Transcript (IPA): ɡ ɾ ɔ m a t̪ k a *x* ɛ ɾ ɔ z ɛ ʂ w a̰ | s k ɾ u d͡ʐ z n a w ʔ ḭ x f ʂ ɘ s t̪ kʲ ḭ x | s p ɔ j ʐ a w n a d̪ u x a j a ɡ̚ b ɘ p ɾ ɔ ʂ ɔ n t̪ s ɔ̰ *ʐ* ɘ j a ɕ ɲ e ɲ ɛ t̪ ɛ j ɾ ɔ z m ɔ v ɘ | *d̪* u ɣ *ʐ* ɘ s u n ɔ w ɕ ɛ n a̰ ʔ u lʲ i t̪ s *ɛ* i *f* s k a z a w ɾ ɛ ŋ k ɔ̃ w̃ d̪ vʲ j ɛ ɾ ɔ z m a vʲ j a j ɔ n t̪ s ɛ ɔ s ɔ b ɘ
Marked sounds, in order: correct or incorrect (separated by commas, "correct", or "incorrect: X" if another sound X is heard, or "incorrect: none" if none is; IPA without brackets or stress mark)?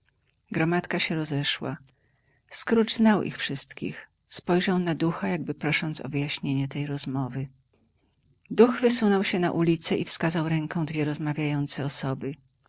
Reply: incorrect: ɕ, incorrect: v, correct, incorrect: v, correct, correct